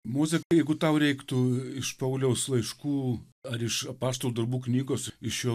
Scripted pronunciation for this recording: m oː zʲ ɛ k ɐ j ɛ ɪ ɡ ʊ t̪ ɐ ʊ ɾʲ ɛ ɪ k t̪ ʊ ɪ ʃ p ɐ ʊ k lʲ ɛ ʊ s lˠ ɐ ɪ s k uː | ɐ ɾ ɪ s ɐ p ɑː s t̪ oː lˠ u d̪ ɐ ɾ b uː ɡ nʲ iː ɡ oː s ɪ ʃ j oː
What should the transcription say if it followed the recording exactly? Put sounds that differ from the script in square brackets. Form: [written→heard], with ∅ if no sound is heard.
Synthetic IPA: m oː zʲ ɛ k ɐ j ɛ ɪ ɡ ʊ t̪ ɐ ʊ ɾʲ ɛ ɪ k t̪ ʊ ɪ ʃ p ɐ ʊ [k→∅] lʲ ɛ ʊ s lˠ ɐ ɪ [s→ʃ] k uː | ɐ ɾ ɪ [s→ʃ] ɐ p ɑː s t̪ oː lˠ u d̪ ɐ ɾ b uː [ɡ→k] nʲ iː ɡ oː s ɪ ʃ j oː